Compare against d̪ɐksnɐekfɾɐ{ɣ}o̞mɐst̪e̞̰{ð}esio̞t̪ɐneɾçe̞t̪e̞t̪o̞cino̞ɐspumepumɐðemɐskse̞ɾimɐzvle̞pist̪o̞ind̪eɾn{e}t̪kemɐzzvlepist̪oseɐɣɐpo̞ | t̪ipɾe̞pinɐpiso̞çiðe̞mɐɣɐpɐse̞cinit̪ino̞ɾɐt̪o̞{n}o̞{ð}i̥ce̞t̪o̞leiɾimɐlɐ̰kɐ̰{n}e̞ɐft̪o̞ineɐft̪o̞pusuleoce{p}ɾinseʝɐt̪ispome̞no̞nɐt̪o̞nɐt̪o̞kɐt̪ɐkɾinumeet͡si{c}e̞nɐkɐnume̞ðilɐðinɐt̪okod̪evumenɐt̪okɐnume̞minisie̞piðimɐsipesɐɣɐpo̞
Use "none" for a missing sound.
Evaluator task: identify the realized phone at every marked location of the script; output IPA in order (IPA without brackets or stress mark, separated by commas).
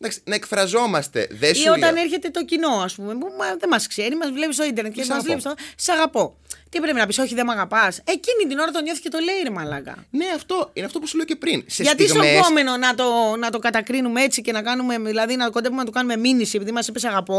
z, ð, e, ɲ, θ, n, p, c